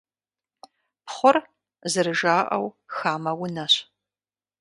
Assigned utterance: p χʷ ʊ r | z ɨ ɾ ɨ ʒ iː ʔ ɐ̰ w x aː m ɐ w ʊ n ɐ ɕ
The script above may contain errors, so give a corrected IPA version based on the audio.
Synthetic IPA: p χʷ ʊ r | z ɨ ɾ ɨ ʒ aː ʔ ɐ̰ w x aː m ɐ w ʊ n ɐ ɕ

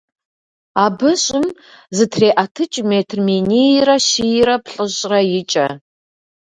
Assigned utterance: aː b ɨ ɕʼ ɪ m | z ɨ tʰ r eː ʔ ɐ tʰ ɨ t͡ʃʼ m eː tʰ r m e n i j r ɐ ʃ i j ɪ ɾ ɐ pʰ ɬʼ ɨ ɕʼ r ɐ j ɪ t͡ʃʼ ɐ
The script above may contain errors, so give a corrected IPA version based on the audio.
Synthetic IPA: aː b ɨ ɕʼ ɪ m | z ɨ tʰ r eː ʔ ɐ tʰ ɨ t͡ʃʼ m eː tʰ r m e n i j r ɐ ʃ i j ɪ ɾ ɐ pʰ ɬʼ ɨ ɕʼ r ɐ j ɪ t͡ʃʼ ɐ

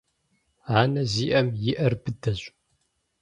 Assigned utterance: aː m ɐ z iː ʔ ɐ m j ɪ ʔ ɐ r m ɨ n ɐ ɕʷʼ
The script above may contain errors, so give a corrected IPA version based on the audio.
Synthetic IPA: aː n ɐ z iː ʔ ɐ m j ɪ ʔ ɐ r b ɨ d ɐ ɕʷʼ

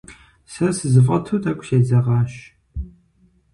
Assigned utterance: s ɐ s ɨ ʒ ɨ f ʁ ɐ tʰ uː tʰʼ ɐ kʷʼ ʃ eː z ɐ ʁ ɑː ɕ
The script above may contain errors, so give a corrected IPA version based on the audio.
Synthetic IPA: s ɐ s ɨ z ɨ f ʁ ɐ tʰ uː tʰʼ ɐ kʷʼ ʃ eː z ɐ ʁ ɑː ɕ

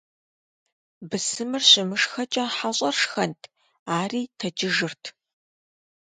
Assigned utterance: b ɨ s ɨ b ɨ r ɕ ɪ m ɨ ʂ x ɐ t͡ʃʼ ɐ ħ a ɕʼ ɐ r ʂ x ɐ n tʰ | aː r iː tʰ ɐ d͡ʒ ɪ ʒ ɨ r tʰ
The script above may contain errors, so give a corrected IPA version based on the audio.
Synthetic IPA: b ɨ s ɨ m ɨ r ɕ ɪ m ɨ ʂ x ɐ t͡ʃʼ ɐ ħ a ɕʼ ɐ r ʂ x ɐ n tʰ | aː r iː tʰ ɐ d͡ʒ ɪ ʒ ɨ r tʰ

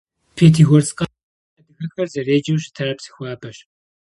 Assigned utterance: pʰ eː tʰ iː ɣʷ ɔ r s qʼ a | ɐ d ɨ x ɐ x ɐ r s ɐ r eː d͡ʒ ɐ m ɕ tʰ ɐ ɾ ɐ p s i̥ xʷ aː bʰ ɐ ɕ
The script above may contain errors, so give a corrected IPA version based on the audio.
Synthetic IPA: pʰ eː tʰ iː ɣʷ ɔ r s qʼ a | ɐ d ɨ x ɐ x ɐ r z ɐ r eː d͡ʒ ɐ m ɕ tʰ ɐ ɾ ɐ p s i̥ xʷ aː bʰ ɐ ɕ

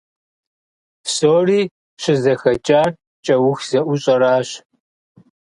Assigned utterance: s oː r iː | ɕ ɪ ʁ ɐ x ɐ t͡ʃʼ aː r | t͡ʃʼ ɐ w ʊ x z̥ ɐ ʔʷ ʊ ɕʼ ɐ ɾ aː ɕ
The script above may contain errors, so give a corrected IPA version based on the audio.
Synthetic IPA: s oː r iː | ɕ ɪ z ɐ x ɐ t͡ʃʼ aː r | t͡ʃʼ ɐ w ʊ x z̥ ɐ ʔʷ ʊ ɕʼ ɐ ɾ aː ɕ

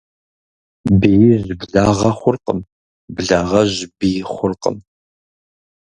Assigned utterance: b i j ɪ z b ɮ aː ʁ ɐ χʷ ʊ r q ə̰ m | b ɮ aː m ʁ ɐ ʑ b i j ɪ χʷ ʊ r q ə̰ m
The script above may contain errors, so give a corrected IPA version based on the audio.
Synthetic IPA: b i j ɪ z b ɮ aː ʁ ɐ χʷ ʊ r q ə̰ m | b ɮ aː ʁ ɐ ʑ b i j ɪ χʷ ʊ r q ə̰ m

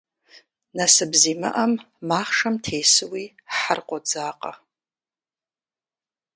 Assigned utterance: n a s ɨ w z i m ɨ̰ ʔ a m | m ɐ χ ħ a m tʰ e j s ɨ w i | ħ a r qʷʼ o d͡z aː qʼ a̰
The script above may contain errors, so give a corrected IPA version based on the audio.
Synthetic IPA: n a s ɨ b z i m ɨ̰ ʔ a m | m a χ ʂ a m tʰ e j s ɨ w i | ħ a r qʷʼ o d͡z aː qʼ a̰

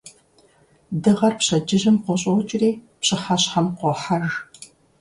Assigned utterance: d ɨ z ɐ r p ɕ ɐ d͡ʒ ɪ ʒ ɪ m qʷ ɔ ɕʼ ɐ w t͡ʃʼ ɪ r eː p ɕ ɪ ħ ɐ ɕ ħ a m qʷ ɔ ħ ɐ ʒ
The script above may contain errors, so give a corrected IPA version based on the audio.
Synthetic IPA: d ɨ ʁ ɐ r p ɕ ɐ d͡ʒ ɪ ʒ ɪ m qʷ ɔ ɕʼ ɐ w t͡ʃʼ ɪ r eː p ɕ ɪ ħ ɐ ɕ ħ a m qʷ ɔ ħ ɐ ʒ

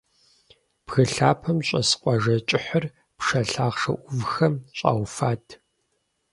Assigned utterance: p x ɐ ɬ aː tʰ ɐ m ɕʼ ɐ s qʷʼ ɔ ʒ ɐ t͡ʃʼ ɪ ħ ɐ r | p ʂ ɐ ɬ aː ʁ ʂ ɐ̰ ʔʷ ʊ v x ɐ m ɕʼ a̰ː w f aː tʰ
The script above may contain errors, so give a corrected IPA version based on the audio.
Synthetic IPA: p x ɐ ɬ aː pʰ ɐ m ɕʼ ɐ s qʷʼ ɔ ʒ ɐ t͡ʃʼ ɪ ħ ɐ r | p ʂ ɐ ɬ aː ʁ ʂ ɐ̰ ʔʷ ʊ v x ɐ m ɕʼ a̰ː w f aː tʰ

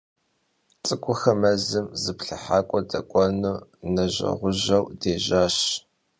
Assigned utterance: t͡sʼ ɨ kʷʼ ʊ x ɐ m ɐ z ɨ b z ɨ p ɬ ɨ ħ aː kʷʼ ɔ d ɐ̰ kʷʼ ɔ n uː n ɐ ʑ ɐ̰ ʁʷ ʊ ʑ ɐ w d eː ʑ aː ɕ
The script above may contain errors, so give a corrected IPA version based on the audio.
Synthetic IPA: t͡sʼ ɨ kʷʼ ʊ x ɐ m ɐ z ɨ m z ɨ p ɬ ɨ ħ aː kʷʼ ɔ d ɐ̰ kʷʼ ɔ n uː n ɐ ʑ ɐ̰ ʁʷ ʊ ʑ ɐ w d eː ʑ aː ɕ

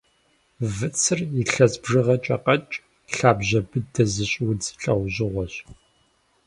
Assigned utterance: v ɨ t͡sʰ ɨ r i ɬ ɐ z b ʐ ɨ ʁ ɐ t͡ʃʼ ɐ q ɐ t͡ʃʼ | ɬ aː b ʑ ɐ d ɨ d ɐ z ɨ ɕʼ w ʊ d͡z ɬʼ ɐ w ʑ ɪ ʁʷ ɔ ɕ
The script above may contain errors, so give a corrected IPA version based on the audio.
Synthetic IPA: v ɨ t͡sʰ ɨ r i ɬ ɐ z b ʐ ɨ ʁ ɐ t͡ʃʼ ɐ q ɐ t͡ʃʼ | ɬ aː b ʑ ɐ b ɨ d ɐ z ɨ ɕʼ w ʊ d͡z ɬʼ ɐ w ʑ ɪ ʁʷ ɔ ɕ

